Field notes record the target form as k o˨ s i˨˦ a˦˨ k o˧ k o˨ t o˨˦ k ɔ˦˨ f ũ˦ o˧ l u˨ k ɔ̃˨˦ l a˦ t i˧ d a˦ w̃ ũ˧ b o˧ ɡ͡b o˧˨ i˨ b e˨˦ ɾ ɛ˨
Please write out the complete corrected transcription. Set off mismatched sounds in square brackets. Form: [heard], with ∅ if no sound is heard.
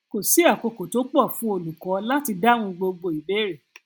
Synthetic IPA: k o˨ s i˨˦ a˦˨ k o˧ k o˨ t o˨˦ [k͡p] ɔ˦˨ f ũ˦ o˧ l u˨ k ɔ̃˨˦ l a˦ t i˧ d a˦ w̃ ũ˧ [ɡ͡b] o˧ ɡ͡b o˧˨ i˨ b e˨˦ ɾ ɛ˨